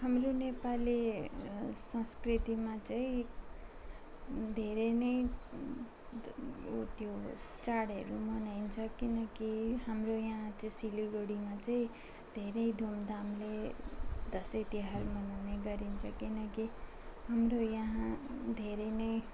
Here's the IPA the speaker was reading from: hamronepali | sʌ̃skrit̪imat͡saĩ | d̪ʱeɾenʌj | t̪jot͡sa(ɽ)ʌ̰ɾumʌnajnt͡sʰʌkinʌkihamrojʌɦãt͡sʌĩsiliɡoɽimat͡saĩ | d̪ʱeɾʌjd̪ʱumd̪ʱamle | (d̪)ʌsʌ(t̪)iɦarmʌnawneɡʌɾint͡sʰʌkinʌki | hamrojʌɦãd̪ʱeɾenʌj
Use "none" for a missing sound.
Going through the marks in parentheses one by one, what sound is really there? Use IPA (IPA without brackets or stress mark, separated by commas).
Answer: ɽ, d̪, t̪